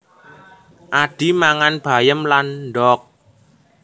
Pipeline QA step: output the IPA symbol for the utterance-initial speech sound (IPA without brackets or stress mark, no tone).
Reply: ʔ